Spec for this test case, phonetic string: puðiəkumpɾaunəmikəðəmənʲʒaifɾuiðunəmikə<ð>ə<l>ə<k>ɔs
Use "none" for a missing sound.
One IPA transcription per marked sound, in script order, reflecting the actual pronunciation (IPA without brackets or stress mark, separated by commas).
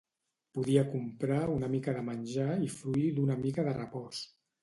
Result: ð, r, p